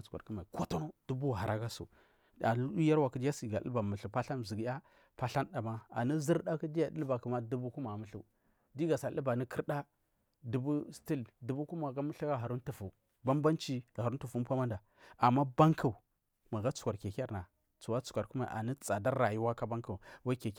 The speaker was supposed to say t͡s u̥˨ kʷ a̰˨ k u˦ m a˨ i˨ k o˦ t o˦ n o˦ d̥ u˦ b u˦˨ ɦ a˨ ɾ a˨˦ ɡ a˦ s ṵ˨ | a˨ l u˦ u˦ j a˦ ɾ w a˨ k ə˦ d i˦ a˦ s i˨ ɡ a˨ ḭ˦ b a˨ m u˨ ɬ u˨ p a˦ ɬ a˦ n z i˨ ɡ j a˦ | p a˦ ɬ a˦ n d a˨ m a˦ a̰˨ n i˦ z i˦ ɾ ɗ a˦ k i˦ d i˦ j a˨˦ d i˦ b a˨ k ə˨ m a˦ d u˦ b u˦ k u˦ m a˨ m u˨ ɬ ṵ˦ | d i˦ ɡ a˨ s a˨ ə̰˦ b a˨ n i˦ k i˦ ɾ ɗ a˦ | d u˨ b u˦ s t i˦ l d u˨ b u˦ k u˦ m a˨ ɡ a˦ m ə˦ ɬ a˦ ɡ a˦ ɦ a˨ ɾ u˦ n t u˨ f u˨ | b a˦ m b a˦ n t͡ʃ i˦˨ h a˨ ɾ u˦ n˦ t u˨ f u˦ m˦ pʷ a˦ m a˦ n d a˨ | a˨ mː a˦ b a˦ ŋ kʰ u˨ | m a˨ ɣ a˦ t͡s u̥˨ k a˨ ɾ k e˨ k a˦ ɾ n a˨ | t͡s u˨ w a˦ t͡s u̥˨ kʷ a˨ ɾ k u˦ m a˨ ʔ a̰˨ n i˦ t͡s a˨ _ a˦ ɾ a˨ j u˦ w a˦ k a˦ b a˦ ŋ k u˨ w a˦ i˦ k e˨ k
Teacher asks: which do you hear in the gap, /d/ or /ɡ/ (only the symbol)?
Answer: d